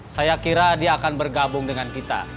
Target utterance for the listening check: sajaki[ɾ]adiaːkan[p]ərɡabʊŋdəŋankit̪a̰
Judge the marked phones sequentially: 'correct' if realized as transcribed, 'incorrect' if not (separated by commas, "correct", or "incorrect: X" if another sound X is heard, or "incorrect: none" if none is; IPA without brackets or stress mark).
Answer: correct, incorrect: b